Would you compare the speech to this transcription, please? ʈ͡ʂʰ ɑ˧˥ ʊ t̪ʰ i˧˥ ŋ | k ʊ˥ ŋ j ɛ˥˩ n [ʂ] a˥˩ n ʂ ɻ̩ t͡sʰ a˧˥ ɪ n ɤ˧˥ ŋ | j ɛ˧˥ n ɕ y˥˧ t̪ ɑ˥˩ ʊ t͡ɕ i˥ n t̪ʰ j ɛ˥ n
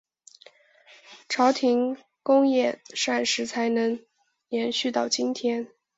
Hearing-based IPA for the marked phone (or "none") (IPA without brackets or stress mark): ʂ